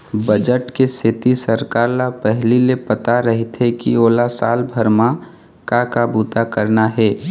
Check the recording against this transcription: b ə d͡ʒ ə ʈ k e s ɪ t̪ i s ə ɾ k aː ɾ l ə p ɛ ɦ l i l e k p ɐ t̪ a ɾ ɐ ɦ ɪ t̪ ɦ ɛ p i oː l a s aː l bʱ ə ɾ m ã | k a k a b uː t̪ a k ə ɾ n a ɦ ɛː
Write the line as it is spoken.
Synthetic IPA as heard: b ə d͡ʒ ə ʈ k e s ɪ t̪ i s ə ɾ k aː ɾ l a p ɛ ɦ l i l e p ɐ t̪ a ɾ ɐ ɦ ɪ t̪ ɦ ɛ k i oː l a s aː l bʱ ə ɾ m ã | k a k a b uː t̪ a k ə ɾ n a ɦ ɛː